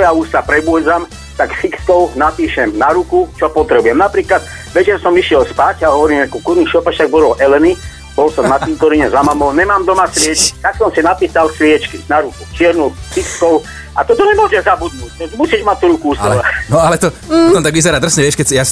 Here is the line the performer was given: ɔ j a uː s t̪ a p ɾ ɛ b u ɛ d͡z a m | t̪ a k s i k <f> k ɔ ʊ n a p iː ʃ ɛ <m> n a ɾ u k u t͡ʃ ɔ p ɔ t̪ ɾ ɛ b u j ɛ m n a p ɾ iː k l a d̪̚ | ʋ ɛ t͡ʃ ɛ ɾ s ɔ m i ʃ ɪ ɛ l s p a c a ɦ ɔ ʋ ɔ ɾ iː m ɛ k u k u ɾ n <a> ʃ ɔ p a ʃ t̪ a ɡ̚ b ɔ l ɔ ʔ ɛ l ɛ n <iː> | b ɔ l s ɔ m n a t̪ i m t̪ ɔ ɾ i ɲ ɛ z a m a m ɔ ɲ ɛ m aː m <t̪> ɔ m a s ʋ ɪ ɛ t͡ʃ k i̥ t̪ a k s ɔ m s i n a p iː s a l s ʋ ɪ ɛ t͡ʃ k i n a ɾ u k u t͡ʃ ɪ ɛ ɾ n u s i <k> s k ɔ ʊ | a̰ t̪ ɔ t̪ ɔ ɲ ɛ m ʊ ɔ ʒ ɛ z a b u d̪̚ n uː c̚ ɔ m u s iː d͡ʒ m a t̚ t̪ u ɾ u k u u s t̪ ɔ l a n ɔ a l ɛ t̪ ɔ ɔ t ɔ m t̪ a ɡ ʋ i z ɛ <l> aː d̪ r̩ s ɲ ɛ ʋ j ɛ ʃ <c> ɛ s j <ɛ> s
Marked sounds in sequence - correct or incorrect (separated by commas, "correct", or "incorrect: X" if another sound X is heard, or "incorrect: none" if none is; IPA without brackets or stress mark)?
incorrect: s, correct, incorrect: i, incorrect: i, incorrect: d̪, correct, incorrect: ɾ, incorrect: k, incorrect: a